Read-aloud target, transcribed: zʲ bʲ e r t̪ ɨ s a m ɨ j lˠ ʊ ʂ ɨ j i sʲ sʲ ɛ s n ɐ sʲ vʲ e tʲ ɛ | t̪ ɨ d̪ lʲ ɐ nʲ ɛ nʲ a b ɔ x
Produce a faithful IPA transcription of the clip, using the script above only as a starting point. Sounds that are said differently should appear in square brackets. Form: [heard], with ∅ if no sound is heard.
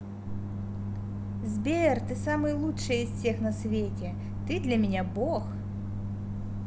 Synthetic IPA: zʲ bʲ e r t̪ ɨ s a m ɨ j lˠ [u] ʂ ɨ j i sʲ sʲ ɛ [x] n ɐ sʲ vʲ e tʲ ɛ | t̪ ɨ d̪ lʲ ɐ [mʲ] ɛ nʲ a b ɔ x

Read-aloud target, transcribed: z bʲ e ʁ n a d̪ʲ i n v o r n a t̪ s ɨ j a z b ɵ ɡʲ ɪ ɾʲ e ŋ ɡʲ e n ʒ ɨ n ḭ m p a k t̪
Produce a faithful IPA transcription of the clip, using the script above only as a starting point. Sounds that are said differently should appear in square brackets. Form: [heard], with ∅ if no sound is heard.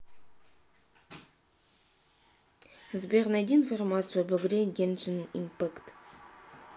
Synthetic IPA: z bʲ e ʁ n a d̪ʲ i n [f] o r [m] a t̪ s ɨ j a [∅] b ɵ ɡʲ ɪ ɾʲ e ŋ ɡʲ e n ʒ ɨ n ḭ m p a k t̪

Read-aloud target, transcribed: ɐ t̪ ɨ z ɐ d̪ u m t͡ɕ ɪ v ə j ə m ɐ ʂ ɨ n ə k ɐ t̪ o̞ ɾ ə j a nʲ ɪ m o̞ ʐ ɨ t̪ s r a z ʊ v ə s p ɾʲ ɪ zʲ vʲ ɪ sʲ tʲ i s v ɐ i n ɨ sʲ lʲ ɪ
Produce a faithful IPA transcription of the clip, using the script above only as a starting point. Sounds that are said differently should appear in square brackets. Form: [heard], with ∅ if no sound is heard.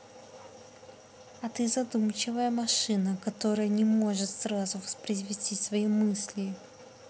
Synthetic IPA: ɐ t̪ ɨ z ɐ d̪ u m t͡ɕ ɪ v ə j ə m ɐ ʂ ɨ n ə k ɐ t̪ o̞ ɾ ə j [ə] nʲ ɪ m o̞ ʐ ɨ t̪ s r a z ʊ v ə s p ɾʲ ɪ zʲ vʲ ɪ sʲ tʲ i s v ɐ i [m] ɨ sʲ lʲ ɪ

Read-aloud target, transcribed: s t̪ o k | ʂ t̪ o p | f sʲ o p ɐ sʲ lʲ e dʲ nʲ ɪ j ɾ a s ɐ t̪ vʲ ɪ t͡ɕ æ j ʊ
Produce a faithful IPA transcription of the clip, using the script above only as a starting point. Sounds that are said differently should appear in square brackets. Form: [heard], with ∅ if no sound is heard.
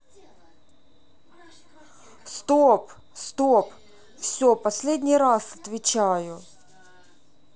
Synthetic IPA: s t̪ o [p] | [s] t̪ o p | f sʲ o p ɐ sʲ lʲ e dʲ nʲ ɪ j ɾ a s ɐ t̪ vʲ ɪ t͡ɕ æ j ʊ

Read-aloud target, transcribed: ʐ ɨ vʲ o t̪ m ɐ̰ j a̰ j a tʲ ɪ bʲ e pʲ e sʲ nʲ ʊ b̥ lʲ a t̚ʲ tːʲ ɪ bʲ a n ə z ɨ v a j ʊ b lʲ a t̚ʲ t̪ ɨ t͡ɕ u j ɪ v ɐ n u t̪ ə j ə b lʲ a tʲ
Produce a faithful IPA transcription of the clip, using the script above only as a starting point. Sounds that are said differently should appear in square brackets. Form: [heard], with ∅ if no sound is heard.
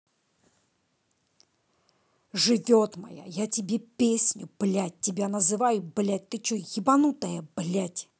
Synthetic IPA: ʐ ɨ vʲ o t̪ m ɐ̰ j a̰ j a tʲ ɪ bʲ e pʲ e sʲ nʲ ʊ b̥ lʲ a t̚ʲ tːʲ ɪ bʲ a n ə z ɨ v a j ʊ b lʲ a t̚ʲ t̪ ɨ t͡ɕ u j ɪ [b] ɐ n u t̪ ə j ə b lʲ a tʲ

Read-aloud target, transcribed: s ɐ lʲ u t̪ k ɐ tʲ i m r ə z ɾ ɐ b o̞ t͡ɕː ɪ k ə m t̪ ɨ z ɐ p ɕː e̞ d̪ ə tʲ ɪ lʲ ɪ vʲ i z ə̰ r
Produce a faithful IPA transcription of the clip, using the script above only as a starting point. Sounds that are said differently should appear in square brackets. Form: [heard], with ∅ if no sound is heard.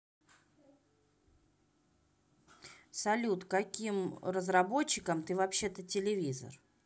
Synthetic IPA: s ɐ lʲ u t̪ k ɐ [kʲ] i m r ə z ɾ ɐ b o̞ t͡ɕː ɪ k ə m t̪ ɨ [v] ɐ p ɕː e̞ [t̪] ə tʲ ɪ lʲ ɪ vʲ i z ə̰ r

